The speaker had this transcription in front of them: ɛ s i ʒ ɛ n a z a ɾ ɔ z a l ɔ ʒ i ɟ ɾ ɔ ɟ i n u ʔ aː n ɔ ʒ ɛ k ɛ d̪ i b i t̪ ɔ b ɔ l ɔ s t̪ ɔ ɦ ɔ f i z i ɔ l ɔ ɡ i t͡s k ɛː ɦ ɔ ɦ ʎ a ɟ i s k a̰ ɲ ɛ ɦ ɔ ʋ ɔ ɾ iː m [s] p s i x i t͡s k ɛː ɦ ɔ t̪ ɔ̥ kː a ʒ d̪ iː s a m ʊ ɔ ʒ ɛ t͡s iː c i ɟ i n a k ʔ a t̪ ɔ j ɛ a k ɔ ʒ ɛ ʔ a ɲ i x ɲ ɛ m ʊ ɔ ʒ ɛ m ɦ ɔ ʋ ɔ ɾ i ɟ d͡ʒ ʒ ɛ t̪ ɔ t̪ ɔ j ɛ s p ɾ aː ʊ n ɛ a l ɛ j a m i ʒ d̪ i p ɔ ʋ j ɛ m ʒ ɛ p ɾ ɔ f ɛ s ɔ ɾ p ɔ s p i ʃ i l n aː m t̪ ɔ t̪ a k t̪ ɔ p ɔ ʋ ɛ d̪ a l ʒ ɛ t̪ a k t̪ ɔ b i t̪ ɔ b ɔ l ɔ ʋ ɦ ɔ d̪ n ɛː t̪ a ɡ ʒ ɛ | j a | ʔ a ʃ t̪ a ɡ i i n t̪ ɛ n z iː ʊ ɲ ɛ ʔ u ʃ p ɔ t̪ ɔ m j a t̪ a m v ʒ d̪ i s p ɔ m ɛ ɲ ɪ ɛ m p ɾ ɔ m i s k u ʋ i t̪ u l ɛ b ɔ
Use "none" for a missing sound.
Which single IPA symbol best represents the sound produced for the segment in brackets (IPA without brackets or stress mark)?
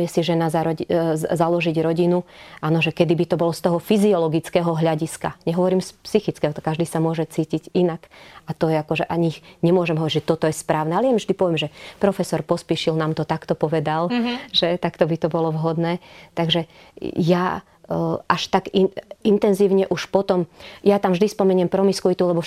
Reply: s